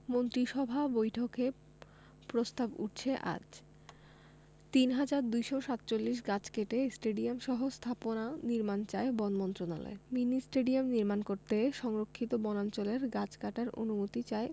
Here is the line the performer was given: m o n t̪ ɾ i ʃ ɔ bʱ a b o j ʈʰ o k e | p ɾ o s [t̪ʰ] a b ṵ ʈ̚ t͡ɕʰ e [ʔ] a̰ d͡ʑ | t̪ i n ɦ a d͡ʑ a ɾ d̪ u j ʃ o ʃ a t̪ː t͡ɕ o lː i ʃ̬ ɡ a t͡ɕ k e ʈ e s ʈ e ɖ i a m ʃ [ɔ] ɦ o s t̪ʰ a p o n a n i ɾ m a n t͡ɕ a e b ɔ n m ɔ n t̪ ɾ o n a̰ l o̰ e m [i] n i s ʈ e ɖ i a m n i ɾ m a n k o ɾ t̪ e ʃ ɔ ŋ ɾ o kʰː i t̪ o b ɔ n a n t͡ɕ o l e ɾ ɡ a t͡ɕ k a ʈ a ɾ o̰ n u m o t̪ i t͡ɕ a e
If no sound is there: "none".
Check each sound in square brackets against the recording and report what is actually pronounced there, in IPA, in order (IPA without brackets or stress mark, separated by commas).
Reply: t̪, ʔ, ɔ, i